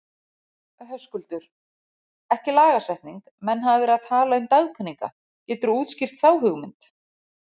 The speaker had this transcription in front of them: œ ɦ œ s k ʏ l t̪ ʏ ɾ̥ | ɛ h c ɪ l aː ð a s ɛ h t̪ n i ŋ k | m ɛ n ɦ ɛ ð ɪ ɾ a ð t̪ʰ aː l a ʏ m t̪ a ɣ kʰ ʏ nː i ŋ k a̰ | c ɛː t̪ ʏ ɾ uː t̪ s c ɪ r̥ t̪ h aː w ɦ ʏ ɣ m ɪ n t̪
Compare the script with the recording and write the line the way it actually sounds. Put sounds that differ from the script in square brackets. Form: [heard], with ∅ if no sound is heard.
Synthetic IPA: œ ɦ œ s k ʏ l t̪ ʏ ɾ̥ | ɛ h c ɪ l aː [ɣ] a s ɛ h t̪ n i ŋ k | m ɛ n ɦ [a] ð ɪ ɾ a ð t̪ʰ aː l a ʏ m t̪ a ɣ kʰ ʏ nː i ŋ k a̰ | c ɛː t̪ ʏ ɾ uː t̪ s c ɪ r̥ t̪ [θ] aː w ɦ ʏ ɣ m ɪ n t̪